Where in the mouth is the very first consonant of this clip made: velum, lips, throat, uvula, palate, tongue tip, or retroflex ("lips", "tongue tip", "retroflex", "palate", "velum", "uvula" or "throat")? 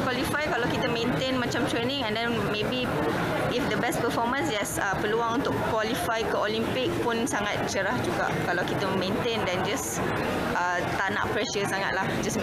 velum